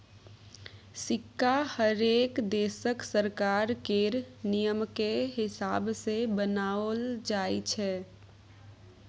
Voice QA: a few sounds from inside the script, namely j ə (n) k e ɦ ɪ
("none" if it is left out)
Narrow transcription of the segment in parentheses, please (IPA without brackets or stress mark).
m